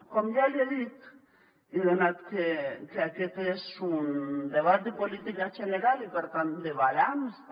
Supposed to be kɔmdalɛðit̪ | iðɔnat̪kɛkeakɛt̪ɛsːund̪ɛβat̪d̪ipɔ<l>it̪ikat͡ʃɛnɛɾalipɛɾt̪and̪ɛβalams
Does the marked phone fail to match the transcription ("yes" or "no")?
no